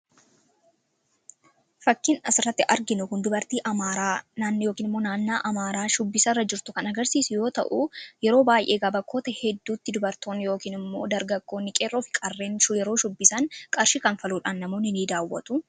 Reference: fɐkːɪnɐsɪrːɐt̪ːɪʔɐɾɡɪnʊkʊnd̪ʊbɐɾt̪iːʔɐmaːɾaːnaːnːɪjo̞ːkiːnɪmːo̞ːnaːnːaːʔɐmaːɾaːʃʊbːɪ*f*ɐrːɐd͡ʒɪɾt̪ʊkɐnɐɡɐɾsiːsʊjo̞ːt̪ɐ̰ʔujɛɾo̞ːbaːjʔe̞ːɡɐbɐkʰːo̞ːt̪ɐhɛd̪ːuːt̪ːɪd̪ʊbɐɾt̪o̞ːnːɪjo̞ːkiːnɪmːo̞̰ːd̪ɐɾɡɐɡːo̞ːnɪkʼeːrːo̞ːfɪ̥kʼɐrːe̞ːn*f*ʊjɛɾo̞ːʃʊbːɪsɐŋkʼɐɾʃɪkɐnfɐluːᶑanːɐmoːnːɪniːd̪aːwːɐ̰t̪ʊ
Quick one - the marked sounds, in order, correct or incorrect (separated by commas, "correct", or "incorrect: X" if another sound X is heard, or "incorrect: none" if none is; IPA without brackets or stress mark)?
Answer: incorrect: s, incorrect: ʃ